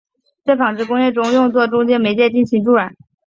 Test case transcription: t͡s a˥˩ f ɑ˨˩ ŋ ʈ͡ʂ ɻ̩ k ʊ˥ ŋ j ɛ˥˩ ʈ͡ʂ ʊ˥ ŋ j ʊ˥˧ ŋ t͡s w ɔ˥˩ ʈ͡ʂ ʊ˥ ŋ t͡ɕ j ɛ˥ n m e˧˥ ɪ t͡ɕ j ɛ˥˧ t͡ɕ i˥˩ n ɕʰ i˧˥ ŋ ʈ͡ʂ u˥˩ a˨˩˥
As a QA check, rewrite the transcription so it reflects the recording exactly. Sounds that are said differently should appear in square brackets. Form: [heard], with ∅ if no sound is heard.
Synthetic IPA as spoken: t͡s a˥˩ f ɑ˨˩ ŋ ʈ͡ʂ ɻ̩ k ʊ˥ ŋ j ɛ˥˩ ʈ͡ʂ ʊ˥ ŋ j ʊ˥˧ ŋ t͡s w ɔ˥˩ ʈ͡ʂ ʊ˥ ŋ t͡ɕ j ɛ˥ n m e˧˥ ɪ t͡ɕ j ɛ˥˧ t͡ɕ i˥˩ n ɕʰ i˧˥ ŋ ʈ͡ʂ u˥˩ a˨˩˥